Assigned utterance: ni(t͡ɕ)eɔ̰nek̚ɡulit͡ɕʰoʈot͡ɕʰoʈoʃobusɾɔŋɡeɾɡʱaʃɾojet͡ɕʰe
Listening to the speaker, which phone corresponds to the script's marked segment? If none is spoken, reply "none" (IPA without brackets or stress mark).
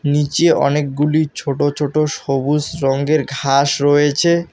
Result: t͡ɕ